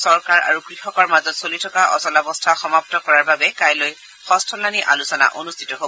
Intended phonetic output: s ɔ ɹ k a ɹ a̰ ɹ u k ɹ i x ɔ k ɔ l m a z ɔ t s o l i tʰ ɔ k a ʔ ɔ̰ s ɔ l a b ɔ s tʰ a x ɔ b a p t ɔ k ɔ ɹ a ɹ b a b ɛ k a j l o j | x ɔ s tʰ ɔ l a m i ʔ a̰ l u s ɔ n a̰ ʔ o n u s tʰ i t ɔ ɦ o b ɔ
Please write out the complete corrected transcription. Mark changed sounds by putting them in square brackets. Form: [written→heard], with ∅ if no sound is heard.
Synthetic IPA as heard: s ɔ ɹ k a ɹ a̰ ɹ u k ɹ i x ɔ k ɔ [l→ɹ] m a z ɔ t s o l i tʰ ɔ k a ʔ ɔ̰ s ɔ l a b ɔ s tʰ a x ɔ [b→m] a p t ɔ k ɔ ɹ a ɹ b a b ɛ k a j l o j | x ɔ s tʰ ɔ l a [m→n] i ʔ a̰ l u s ɔ n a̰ ʔ o n u s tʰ i t ɔ ɦ o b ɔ